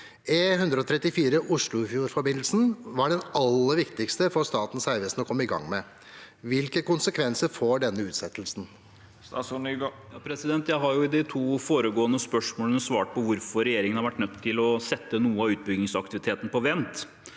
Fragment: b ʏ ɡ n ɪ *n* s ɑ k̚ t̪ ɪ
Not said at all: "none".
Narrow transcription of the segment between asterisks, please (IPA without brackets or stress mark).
ŋ